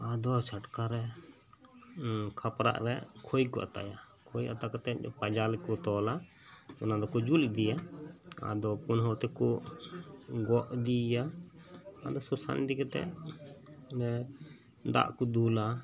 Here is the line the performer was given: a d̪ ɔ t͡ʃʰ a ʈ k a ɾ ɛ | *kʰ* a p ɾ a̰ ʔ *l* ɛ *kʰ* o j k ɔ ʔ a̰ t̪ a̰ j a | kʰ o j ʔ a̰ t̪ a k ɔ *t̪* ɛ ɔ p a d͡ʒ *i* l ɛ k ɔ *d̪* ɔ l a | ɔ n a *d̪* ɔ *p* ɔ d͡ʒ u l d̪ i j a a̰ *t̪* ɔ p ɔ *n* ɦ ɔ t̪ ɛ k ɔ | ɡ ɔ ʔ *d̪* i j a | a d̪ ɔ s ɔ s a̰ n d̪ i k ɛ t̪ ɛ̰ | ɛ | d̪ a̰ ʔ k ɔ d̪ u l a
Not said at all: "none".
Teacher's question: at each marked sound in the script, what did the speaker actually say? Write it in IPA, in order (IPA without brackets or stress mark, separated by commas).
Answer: kʰ, ɾ, kʰ, t̪, a, t̪, d̪, k, d̪, n, d̪